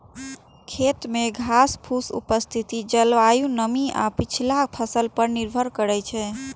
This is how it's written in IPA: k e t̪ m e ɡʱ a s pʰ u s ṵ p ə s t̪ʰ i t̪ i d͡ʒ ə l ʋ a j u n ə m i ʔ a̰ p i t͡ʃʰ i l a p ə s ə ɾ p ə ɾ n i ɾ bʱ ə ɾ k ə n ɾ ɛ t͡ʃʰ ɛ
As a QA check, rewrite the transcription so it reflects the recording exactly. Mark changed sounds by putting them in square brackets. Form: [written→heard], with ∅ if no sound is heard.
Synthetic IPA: [k→kʰ] e t̪ m e ɡʱ a s pʰ u s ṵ p ə s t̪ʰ i t̪ i d͡ʒ ə l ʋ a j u n ə m i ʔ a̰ p i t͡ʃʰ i l a [p→pʰ] ə s ə [ɾ→l] p ə ɾ n i ɾ bʱ ə ɾ k ə [n→∅] ɾ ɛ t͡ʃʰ ɛ